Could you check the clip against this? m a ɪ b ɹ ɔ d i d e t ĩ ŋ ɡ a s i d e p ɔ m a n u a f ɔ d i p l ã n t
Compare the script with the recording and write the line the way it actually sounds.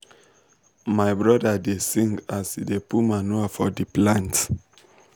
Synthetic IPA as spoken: m a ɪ b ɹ ɔ d a d e s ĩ ŋ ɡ a s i d e p u m a n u a f ɔ d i p l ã n t